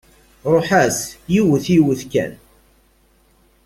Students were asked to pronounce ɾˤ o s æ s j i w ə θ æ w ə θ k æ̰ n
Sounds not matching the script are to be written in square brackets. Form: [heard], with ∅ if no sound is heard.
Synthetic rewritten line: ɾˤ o [ħ] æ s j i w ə θ [i] w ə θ k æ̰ n